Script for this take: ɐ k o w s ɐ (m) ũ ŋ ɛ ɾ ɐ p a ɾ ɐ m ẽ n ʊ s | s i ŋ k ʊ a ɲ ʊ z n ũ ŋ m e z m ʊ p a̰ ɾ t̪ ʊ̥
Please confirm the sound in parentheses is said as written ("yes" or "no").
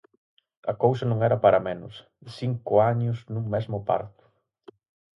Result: no